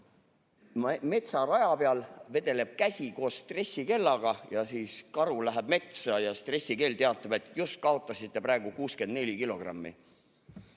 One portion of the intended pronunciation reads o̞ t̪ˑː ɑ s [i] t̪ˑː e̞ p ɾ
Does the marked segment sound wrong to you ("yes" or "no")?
no